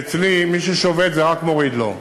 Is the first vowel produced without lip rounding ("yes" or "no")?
yes